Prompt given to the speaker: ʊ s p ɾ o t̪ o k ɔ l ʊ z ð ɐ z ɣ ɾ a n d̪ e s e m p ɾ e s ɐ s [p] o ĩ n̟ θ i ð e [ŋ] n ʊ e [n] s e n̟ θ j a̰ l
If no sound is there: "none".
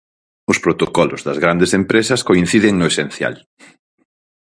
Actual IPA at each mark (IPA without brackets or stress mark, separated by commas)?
k, ŋ, none